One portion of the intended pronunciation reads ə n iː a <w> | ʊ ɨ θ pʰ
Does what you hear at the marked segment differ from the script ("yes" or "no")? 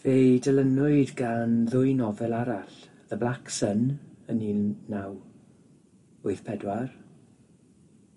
no